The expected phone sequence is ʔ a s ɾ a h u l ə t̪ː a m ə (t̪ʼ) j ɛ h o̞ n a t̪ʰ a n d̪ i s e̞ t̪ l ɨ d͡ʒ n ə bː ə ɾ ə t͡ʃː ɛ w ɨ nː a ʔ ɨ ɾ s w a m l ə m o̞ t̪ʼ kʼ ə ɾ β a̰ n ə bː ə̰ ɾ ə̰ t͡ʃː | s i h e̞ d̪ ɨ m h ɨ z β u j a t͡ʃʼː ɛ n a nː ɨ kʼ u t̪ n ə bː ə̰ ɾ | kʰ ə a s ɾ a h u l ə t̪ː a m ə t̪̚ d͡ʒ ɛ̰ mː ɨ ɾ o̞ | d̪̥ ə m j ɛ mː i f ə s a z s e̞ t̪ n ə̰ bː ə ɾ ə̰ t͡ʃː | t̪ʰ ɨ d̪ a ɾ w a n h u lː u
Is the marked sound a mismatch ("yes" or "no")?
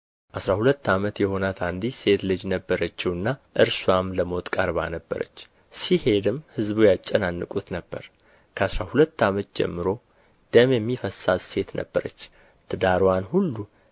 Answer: yes